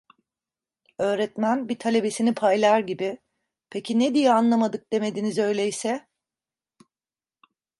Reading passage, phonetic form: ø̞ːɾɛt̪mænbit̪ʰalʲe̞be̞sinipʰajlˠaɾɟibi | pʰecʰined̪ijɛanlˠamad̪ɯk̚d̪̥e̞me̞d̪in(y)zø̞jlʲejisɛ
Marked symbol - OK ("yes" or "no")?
no